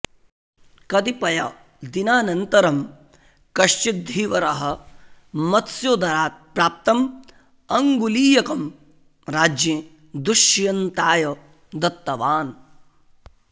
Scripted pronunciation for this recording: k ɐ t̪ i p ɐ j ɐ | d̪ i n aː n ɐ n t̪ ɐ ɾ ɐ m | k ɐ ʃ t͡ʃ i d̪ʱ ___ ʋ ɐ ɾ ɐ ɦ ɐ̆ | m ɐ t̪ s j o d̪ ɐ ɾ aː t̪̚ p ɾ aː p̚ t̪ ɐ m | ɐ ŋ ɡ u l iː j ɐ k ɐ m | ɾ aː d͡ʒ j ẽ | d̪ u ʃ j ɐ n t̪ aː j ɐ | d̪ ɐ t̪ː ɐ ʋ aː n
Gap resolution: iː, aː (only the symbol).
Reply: iː